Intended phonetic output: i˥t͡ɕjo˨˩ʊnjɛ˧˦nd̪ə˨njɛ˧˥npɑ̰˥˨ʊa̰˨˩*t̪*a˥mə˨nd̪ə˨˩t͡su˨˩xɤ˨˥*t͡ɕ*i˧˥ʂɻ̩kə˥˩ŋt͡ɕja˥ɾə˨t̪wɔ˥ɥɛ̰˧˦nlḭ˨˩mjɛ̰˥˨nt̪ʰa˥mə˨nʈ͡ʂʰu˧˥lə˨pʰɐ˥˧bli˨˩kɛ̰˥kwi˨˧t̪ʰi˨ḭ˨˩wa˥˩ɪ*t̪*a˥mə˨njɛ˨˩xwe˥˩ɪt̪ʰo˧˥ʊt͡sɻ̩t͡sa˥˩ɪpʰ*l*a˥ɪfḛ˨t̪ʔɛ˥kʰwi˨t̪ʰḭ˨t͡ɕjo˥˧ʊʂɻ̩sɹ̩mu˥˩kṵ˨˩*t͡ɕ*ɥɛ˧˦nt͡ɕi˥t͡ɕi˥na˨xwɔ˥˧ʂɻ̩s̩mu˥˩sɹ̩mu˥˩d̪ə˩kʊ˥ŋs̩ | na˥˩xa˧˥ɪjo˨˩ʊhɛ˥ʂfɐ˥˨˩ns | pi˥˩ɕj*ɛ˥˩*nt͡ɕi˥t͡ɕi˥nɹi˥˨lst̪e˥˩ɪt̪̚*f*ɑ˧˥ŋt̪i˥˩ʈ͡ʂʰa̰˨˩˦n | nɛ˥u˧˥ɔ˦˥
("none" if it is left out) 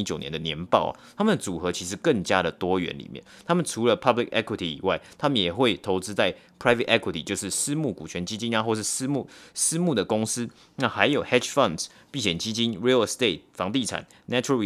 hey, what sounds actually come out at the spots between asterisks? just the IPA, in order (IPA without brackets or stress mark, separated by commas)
t̪ʰ, t͡ɕʰ, t̪ʰ, ɹ, t͡ɕʰ, ɛ˨˩, f